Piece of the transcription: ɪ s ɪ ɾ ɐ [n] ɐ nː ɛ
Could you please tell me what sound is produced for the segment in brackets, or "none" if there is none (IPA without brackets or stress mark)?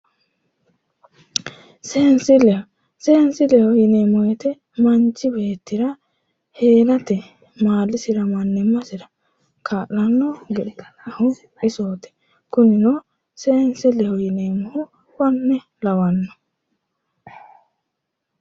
m